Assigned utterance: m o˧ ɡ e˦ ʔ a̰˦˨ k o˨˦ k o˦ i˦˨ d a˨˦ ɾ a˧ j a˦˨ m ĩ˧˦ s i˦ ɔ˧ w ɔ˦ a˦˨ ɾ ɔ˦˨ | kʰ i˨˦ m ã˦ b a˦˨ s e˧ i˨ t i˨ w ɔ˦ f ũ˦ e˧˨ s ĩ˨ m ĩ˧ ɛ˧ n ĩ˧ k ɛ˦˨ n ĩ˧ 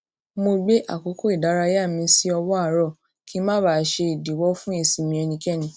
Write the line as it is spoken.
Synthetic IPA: m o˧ ɡ͡b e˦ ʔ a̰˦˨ k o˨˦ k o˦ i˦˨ d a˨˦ ɾ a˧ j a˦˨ m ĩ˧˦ s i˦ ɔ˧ w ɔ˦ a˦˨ ɾ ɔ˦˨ | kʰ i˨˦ m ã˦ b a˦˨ ʃ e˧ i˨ d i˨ w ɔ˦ f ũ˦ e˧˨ s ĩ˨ m ĩ˧ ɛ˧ n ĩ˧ k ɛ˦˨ n ĩ˧